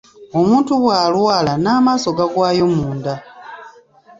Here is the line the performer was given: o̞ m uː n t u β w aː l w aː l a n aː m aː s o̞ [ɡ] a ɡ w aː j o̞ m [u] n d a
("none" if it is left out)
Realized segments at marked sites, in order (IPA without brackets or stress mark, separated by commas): ɡ, uː